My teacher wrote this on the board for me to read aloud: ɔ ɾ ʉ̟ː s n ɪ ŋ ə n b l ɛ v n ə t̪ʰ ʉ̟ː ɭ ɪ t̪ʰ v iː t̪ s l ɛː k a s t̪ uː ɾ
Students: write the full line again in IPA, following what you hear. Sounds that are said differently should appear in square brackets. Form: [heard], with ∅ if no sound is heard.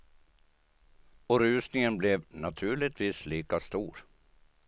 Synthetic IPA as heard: ɔ ɾ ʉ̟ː s n ɪ ŋ ə n b l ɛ v n [a] t̪ʰ ʉ̟ː ɭ ɪ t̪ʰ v iː [∅] s l [iː] k a s t̪ uː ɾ